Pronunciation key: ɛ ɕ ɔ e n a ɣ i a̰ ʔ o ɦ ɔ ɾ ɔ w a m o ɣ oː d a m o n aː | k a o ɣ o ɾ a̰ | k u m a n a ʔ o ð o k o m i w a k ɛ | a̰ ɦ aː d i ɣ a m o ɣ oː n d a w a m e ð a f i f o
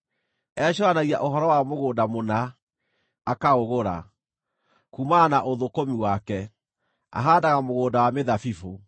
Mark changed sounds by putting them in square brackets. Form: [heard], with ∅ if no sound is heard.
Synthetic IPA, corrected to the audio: ɛ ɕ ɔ [a] n a ɣ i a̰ ʔ o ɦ ɔ ɾ ɔ w a m o ɣ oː d a m o n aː | k a o ɣ o ɾ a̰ | k u m a n a ʔ o ð o k o m i w a k ɛ | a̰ ɦ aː d [a] ɣ a m o ɣ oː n d a w a m e ð a f i f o